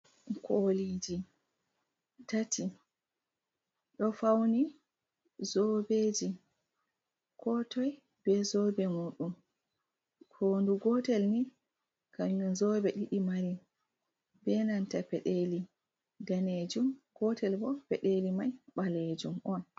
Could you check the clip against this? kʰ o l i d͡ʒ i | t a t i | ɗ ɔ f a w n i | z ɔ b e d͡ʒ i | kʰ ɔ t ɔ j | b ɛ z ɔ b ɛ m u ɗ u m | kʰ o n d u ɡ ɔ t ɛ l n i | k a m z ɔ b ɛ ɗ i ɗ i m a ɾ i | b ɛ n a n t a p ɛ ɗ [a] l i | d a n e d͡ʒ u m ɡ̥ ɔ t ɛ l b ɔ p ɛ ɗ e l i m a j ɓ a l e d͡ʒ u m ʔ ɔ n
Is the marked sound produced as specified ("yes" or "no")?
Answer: no